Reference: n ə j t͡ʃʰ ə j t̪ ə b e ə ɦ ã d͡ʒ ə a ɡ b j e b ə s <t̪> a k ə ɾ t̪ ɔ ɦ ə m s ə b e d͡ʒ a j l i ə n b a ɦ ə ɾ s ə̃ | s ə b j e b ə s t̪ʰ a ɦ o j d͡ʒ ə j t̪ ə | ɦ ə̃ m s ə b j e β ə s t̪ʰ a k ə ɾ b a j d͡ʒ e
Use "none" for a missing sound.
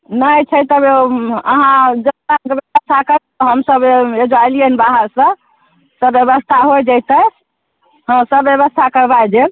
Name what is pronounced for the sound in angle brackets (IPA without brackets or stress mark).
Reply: t̪ʰ